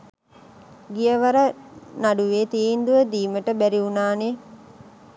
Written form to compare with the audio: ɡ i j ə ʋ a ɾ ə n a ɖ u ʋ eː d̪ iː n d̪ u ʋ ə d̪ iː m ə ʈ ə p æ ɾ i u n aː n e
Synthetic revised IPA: ɡ i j ə ʋ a ɾ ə n a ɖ u ʋ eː t̪ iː n d̪ u ʋ ə d̪ iː m ə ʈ ə b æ ɾ i u n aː n e